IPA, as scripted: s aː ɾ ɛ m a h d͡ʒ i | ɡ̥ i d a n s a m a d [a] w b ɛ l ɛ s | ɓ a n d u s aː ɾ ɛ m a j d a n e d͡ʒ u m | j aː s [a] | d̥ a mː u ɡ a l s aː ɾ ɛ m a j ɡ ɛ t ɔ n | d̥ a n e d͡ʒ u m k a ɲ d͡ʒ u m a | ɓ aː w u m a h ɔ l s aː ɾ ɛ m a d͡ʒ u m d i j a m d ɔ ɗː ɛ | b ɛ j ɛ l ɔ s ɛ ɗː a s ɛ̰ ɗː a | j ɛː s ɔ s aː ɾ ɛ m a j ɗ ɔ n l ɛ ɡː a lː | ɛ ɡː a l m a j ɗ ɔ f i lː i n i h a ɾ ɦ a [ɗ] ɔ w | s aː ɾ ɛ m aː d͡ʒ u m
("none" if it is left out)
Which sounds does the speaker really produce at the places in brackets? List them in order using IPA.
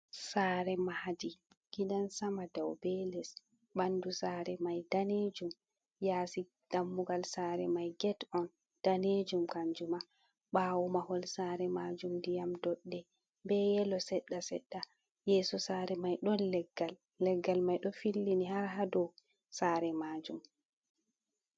a, i, d

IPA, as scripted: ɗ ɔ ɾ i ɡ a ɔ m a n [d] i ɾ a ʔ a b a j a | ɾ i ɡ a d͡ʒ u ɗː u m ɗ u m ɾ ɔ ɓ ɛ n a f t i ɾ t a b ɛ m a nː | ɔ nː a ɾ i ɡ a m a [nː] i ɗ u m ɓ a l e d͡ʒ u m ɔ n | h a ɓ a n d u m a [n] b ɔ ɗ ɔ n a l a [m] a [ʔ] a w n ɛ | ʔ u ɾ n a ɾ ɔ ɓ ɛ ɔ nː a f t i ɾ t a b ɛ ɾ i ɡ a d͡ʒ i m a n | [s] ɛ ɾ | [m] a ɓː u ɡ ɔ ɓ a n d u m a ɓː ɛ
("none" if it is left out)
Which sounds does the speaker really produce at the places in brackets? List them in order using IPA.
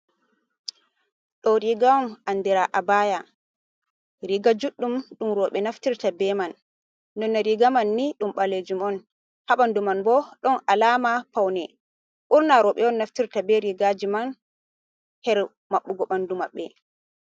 d, nː, n, m, p, h, m

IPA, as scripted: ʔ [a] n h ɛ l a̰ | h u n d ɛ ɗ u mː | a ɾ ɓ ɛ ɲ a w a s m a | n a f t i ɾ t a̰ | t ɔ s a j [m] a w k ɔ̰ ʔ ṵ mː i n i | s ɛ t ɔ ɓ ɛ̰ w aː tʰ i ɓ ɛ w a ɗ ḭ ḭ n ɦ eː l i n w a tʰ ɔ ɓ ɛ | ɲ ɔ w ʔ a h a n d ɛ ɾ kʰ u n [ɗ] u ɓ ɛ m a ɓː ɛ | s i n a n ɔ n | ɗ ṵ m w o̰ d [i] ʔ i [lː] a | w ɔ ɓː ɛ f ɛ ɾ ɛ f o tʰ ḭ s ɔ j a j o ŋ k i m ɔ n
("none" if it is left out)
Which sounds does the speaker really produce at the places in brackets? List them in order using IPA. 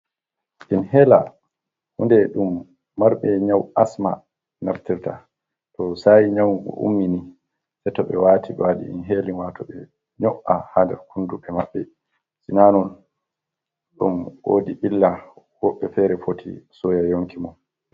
i, ɲ, d, i, lː

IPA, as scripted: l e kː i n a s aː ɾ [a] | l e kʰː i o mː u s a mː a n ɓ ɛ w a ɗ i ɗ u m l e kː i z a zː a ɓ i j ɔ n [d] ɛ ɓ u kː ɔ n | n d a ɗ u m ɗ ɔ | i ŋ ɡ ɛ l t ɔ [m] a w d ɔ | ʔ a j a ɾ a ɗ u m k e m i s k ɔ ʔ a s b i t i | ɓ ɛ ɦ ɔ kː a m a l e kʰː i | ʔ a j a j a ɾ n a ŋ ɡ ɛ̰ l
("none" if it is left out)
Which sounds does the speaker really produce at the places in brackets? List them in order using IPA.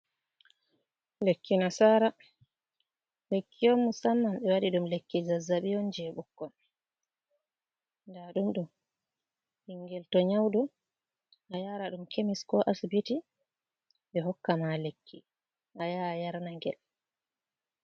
a, d͡ʒ, ɲ

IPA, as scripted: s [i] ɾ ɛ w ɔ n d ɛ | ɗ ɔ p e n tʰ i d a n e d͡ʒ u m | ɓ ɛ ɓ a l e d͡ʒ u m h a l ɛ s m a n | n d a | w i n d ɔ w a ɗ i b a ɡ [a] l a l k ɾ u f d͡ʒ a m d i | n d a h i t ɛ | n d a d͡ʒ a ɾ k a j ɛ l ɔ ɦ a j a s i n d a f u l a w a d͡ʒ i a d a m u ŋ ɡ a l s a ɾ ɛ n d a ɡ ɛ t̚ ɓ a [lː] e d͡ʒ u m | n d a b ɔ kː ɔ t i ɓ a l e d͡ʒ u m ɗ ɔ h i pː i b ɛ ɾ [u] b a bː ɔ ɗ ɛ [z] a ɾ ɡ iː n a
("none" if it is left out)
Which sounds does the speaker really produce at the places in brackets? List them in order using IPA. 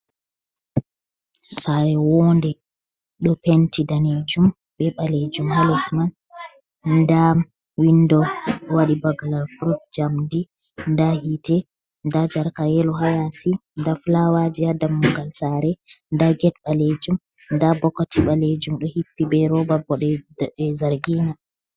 a, a, l, ɔ, z

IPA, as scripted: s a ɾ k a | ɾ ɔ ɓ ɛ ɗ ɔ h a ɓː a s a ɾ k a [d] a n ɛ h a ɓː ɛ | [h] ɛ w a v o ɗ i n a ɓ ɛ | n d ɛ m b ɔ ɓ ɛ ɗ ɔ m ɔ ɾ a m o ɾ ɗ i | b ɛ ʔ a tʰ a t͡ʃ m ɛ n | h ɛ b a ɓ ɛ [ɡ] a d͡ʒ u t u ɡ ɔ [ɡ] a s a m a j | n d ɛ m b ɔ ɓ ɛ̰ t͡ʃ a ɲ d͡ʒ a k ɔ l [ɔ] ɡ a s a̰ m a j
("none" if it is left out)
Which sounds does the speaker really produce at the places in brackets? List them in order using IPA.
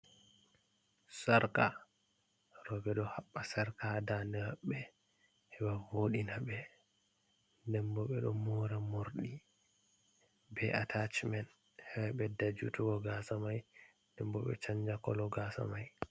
d, h, d, ɡ, ɔ

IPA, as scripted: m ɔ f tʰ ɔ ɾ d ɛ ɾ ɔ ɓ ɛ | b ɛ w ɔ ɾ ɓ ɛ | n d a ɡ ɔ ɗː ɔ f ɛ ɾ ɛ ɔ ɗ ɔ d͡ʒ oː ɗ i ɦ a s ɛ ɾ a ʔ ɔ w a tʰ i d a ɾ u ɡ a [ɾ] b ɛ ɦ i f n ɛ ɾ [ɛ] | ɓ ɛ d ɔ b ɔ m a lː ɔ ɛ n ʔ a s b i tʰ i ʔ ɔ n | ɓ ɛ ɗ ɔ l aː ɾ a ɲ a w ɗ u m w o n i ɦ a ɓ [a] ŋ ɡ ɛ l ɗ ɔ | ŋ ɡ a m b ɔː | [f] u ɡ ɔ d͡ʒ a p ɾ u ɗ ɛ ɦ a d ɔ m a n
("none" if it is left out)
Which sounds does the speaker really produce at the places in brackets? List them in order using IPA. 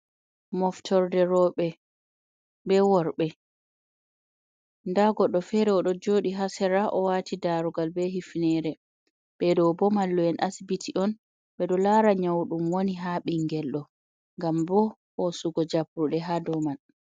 l, ɛ, i, s

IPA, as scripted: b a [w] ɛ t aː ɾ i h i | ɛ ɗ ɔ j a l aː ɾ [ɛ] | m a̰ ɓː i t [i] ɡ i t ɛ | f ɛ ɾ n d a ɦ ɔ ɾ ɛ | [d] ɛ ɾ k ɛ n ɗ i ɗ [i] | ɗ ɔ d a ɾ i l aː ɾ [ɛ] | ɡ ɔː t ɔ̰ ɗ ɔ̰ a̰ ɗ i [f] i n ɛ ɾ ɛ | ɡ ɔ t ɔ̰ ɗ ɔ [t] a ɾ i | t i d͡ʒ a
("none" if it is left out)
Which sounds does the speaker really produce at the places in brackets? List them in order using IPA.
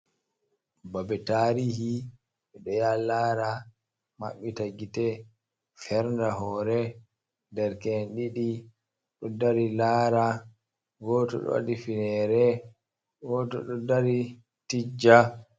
b, a, a, d, i, a, f, d

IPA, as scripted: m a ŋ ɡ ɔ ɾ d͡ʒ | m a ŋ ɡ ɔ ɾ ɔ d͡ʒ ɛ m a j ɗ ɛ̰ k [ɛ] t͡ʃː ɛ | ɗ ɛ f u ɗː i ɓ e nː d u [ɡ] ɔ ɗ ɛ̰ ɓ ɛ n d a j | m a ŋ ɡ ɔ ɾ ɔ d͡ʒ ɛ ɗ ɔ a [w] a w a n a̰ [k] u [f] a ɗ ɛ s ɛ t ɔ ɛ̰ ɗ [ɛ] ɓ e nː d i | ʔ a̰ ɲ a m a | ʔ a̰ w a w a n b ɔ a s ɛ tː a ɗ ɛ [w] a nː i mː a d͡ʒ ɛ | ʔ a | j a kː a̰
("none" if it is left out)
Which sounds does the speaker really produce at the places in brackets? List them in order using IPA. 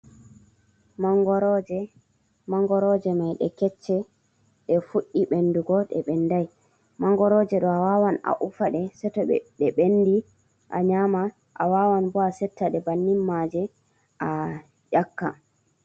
ɛ, ɡ, w, ʔ, f, ɛ, b

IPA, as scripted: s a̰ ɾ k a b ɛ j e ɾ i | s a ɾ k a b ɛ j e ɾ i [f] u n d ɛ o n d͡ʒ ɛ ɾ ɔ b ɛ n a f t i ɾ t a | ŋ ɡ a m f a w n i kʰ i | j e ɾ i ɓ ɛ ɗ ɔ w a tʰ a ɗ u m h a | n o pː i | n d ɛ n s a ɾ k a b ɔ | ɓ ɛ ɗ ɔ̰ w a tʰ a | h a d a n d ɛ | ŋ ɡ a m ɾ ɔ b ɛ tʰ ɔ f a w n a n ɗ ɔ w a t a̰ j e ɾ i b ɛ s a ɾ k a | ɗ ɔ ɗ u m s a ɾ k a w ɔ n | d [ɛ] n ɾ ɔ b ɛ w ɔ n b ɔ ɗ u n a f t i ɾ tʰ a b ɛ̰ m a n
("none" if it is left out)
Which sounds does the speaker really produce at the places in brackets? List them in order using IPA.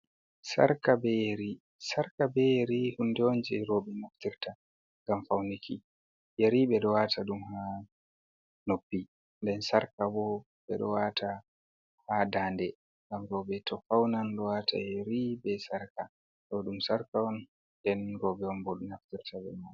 h, ɛ

